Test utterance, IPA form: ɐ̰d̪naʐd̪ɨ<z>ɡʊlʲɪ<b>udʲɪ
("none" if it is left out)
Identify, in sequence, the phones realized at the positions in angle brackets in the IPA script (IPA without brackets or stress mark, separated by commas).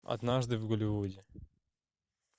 v, v